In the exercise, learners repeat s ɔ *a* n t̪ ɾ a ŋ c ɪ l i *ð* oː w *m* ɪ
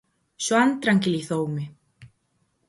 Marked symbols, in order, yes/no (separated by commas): yes, no, yes